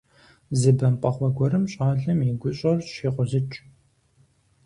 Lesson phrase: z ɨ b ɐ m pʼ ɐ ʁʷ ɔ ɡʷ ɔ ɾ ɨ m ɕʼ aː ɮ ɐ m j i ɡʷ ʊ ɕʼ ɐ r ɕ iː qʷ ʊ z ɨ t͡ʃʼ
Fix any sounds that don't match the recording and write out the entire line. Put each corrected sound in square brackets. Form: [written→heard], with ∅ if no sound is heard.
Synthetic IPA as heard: z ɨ b ɐ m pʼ ɐ [ʁʷ→χʷ] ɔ ɡʷ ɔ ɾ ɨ m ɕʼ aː ɮ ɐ m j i ɡʷ ʊ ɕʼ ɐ r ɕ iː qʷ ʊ z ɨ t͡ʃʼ